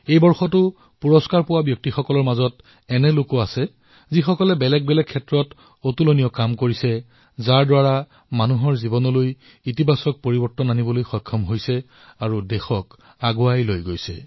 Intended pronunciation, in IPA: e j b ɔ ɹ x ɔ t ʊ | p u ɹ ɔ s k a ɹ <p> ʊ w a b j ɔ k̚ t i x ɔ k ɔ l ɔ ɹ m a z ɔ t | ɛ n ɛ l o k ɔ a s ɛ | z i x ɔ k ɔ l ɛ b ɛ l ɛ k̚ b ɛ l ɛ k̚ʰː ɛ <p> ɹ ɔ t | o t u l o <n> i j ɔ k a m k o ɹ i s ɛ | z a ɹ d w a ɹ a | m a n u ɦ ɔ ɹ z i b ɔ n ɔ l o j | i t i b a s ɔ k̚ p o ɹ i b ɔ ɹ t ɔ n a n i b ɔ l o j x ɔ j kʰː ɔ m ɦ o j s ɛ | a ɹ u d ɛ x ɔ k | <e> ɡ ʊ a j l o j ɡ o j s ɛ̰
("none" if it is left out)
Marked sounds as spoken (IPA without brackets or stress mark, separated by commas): p, t, n, a